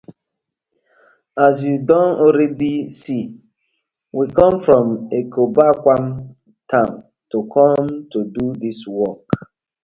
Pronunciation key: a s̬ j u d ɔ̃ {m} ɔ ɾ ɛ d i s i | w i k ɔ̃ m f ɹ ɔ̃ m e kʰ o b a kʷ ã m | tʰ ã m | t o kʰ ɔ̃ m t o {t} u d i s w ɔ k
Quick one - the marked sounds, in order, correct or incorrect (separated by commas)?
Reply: incorrect, incorrect